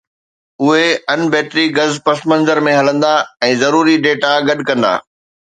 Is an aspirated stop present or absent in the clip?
absent